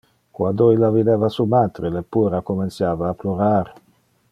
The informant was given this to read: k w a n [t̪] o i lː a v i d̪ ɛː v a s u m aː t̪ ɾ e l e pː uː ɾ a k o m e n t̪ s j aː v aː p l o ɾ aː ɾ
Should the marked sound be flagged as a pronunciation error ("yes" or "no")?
yes